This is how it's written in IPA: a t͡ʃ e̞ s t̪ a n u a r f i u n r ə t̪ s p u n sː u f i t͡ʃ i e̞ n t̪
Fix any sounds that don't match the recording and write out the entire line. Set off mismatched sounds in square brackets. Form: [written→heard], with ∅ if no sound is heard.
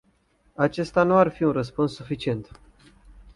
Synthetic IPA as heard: a t͡ʃ e̞ s t̪ a n u a r f i u n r ə [t̪→∅] s p u n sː u f i t͡ʃ i e̞ n t̪